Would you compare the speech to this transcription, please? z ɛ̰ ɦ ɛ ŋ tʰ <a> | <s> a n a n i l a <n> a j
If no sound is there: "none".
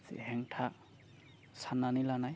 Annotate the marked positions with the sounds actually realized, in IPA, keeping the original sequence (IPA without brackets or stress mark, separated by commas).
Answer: a, s, n